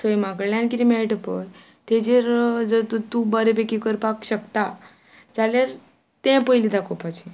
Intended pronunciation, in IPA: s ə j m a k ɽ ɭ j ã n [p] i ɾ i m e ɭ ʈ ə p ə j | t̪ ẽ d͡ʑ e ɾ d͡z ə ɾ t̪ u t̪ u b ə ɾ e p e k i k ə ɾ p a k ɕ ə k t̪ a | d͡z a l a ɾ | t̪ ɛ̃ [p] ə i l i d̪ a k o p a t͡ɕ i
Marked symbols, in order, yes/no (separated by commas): no, yes